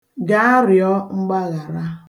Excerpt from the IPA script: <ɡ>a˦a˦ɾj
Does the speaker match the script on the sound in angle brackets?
yes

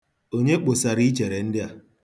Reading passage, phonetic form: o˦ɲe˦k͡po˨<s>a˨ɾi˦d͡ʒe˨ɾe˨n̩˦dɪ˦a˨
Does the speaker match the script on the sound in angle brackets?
yes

